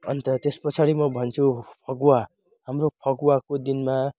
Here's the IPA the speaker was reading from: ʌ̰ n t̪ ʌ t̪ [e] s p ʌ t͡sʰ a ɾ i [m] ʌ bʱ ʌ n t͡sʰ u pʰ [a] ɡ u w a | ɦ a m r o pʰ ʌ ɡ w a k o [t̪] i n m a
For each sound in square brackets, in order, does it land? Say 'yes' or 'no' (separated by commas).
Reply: yes, yes, no, no